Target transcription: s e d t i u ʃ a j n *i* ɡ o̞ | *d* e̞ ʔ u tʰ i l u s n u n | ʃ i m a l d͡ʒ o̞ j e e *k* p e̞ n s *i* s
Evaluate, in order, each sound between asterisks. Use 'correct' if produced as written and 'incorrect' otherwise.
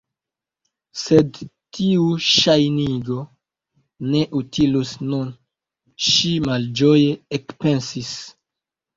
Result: correct, incorrect: n, correct, correct

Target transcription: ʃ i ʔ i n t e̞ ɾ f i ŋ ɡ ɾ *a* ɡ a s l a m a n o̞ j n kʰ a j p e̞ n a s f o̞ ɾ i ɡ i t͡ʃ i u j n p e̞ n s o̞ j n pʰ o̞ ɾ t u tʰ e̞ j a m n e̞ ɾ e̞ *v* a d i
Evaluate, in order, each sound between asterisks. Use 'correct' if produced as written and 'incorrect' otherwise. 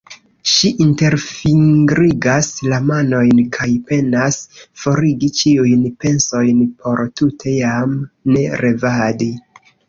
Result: incorrect: i, correct

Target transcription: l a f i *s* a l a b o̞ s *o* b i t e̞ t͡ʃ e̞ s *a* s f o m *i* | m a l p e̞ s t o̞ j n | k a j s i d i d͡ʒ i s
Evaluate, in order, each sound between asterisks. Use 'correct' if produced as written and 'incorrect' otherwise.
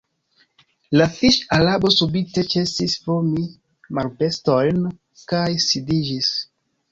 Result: incorrect: ʃ, incorrect: u, incorrect: i, correct

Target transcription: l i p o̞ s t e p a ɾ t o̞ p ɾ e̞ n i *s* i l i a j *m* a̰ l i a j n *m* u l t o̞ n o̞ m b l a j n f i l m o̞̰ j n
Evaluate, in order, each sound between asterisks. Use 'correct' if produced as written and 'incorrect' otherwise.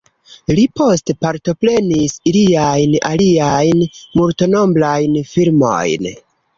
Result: correct, incorrect: n, correct

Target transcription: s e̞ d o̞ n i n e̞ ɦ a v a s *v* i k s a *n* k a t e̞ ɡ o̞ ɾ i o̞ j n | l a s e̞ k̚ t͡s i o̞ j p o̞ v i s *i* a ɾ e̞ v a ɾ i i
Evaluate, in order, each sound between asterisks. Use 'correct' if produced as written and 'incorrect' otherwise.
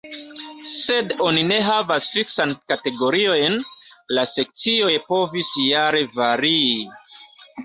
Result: incorrect: f, correct, incorrect: j

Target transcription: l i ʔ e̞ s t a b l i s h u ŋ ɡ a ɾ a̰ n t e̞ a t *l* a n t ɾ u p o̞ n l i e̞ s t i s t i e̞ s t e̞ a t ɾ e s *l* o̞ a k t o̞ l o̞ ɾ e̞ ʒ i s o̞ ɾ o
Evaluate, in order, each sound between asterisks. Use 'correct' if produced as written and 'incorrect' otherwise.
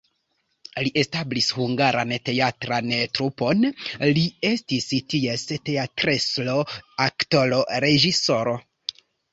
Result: incorrect: ɾ, correct

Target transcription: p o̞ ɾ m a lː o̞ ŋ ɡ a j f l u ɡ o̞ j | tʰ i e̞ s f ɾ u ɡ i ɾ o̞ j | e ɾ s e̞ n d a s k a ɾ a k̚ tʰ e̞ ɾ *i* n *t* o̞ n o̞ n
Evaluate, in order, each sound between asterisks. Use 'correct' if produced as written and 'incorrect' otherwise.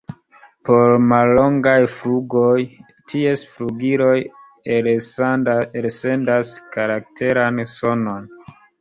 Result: incorrect: a, incorrect: s

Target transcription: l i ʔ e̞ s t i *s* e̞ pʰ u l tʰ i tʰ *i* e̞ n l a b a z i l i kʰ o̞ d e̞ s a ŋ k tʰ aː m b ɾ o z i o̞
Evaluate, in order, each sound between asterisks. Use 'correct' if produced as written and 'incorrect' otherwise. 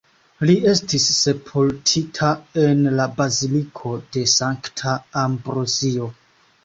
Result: incorrect: sː, incorrect: a

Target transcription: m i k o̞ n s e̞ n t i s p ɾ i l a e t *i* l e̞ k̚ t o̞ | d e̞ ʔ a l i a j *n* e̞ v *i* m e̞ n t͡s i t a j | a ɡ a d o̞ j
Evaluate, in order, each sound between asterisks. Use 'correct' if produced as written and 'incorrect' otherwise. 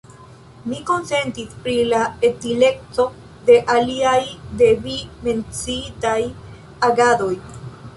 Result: correct, incorrect: d, correct

